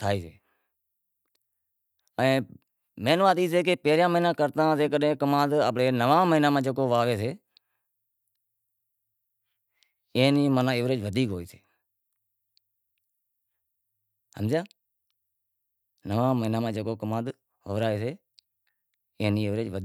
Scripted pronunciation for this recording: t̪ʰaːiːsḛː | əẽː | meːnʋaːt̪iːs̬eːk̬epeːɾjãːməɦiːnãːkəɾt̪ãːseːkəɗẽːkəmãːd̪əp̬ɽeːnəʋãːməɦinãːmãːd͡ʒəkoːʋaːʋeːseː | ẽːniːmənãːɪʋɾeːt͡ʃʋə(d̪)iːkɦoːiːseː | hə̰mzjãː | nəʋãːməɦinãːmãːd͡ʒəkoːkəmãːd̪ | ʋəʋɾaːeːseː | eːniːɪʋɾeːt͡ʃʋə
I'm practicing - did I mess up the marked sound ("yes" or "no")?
no